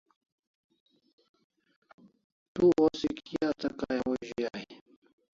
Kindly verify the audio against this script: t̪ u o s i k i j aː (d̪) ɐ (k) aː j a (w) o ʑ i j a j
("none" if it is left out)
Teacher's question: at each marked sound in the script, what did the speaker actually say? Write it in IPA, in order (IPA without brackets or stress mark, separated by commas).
t̪, k, w